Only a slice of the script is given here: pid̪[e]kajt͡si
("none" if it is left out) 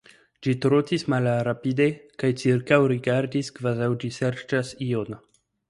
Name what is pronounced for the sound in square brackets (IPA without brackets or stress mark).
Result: e